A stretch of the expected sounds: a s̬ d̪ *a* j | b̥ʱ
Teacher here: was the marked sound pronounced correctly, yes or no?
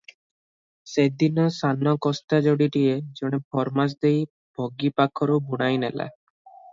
no